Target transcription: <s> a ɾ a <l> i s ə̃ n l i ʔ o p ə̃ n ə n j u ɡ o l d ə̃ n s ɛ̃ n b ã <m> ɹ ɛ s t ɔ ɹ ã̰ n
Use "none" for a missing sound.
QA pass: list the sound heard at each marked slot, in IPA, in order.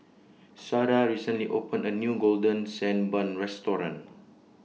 s, ɹ, n

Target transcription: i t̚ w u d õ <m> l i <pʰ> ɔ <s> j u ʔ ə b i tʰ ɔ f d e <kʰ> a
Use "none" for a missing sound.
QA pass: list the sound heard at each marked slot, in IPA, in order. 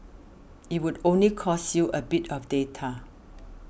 n, kʰ, s, tʰ

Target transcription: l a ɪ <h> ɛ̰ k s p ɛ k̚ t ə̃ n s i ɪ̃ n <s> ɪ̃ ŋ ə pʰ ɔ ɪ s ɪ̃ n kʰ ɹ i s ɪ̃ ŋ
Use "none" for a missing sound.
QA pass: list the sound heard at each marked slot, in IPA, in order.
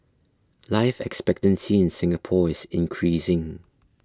f, s

